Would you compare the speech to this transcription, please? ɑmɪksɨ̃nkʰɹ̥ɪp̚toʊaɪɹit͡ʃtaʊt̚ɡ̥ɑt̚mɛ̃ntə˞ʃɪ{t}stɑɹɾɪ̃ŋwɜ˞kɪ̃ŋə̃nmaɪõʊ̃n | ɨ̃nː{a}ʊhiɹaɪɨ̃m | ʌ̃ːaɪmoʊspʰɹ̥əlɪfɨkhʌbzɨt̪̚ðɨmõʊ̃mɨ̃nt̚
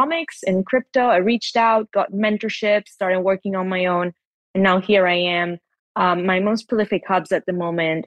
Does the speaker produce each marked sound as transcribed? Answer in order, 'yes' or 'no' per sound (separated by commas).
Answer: no, yes